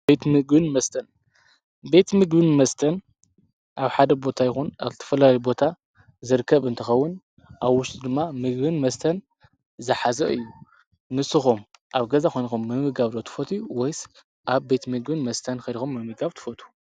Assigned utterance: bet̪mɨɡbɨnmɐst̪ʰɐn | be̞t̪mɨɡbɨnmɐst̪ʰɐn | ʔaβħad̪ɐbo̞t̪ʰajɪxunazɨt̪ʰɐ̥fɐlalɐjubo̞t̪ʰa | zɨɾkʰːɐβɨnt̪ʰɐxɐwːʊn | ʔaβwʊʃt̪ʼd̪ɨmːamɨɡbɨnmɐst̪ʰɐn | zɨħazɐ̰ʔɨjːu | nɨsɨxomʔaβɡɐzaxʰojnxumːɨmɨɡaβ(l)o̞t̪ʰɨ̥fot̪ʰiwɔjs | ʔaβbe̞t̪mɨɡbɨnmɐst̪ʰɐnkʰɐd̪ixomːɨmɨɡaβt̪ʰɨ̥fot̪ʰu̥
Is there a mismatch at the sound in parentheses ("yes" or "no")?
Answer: no